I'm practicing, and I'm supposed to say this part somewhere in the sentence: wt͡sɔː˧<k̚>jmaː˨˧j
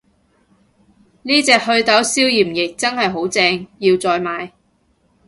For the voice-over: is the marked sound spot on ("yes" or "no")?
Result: no